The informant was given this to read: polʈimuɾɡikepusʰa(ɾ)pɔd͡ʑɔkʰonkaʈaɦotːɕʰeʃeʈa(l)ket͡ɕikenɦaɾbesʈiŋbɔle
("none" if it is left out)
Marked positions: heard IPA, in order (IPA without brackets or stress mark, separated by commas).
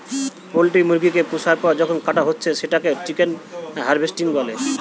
ɾ, none